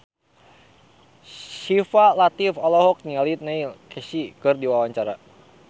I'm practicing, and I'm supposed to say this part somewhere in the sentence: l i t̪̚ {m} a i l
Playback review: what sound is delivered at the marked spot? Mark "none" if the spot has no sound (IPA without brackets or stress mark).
n